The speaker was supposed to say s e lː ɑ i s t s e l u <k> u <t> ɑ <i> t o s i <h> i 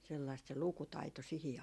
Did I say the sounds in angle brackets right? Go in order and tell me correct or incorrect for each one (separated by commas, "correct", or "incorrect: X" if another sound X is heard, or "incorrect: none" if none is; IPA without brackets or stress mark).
correct, correct, correct, correct